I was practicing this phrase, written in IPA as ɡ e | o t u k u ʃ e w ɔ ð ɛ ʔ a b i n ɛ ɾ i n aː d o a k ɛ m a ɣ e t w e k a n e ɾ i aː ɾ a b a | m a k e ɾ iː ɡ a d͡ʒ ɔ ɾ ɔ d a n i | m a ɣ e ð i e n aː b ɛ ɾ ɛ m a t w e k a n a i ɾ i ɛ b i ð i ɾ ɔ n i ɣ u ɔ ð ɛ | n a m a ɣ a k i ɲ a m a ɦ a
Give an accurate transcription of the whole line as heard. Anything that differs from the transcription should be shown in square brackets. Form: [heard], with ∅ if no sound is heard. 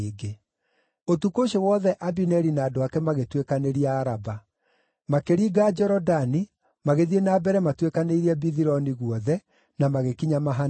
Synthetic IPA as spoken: ɡ e | o t u k [o] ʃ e w ɔ ð ɛ ʔ a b i n ɛ ɾ i n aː d o a k ɛ m a ɣ e t w e k a n e ɾ i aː ɾ a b a | m a k e ɾ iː ɡ a d͡ʒ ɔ ɾ ɔ d a n i | m a ɣ e ð i e n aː b ɛ ɾ ɛ m a t w e k a n [e] i ɾ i ɛ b i ð i ɾ ɔ n i ɣ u ɔ ð ɛ | n a m a ɣ [e] k i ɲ a m a ɦ a